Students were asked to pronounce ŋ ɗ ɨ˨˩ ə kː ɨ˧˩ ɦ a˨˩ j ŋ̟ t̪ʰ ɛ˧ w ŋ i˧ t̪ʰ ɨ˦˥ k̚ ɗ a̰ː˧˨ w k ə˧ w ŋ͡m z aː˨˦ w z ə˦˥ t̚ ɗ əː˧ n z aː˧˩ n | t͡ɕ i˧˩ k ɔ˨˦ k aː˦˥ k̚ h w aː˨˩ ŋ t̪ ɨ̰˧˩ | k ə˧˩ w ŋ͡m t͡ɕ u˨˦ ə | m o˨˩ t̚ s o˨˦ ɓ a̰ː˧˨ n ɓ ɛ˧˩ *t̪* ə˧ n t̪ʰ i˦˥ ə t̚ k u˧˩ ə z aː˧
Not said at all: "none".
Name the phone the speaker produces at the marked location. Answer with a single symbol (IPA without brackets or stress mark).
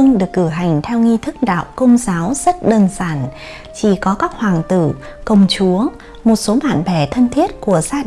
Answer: t̪ʰ